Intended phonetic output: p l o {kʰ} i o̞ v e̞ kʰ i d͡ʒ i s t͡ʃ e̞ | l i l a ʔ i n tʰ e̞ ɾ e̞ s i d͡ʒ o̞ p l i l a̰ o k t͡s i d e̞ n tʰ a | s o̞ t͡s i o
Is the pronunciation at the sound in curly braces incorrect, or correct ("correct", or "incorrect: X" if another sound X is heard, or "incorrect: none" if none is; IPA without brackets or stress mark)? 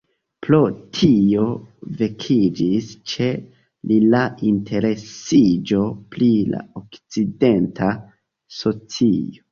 incorrect: tʰ